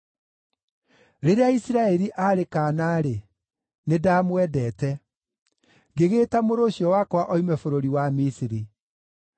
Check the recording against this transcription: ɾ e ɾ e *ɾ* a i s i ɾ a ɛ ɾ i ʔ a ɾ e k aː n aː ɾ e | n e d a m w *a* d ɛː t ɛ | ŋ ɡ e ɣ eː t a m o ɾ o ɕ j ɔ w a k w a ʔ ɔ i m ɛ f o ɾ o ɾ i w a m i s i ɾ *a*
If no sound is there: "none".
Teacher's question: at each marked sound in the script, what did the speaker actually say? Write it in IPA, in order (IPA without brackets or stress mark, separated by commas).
none, ɛ, i